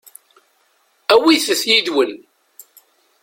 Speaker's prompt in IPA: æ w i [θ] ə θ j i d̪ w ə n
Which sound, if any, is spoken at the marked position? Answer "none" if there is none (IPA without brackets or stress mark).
θ